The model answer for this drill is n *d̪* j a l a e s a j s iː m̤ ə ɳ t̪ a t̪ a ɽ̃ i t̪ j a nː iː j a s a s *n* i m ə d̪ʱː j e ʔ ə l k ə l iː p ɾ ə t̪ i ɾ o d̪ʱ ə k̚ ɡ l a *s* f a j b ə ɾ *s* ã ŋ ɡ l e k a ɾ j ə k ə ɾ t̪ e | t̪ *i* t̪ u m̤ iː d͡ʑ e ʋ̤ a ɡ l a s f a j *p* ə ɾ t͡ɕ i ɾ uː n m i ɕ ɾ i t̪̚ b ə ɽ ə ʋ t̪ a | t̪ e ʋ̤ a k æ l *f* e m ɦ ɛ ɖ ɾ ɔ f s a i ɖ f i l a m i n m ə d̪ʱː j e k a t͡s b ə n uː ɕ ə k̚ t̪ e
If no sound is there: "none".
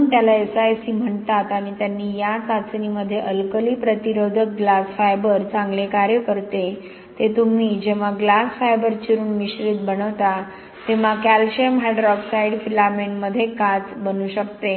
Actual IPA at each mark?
t̪, n, s, t͡s, e, b, ɕ

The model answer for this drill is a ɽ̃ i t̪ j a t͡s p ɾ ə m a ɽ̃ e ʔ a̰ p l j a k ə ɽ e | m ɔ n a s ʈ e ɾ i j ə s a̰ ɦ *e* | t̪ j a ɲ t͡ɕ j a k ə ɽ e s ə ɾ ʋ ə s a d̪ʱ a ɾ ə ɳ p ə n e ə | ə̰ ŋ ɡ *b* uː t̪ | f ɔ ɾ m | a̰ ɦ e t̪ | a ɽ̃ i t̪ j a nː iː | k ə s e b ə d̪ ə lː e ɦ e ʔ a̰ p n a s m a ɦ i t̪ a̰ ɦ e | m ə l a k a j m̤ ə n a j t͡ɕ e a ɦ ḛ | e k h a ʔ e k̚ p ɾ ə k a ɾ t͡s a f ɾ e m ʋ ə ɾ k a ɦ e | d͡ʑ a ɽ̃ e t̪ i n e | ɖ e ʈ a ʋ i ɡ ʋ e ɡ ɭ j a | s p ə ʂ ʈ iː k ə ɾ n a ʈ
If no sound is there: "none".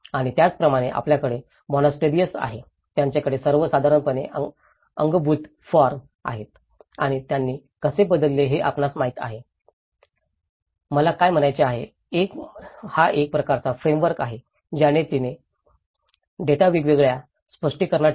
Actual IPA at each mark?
e, b

